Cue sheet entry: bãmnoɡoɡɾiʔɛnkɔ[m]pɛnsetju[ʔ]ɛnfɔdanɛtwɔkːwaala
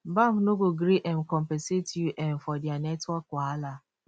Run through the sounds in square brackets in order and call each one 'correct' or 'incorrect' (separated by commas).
correct, correct